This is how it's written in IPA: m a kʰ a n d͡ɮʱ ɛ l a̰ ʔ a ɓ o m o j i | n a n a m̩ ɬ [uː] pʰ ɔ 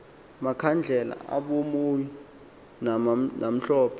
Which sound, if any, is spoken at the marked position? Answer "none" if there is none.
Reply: ɔː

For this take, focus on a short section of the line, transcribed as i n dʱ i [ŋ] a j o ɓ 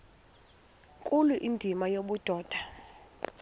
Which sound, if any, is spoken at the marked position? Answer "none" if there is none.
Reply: m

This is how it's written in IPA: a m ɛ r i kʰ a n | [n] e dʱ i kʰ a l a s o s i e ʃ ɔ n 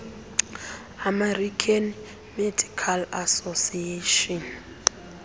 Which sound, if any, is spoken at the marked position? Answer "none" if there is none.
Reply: m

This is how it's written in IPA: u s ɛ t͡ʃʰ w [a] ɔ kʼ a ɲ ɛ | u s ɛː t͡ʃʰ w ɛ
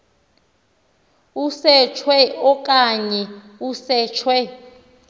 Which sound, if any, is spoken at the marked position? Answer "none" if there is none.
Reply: ɛ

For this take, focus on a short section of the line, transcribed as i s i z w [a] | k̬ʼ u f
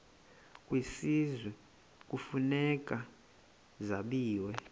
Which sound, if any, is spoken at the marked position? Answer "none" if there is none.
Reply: ɛ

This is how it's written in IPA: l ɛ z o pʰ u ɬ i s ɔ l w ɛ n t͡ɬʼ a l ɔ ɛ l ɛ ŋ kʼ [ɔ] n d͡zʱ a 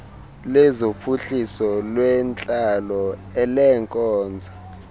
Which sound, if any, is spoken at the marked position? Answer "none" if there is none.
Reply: ɔː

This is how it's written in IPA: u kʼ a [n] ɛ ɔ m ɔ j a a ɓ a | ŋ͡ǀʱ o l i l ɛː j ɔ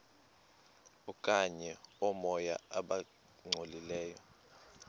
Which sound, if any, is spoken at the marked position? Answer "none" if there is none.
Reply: ɲ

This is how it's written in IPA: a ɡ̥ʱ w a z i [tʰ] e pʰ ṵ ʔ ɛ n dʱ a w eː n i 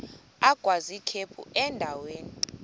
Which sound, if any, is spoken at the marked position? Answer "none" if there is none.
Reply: kʰ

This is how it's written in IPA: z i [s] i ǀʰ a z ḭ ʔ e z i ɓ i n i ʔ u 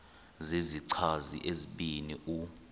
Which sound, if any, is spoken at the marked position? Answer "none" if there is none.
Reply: z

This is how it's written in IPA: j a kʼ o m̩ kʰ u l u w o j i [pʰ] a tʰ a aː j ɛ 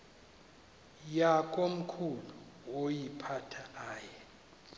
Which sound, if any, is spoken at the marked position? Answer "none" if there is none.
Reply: pʰ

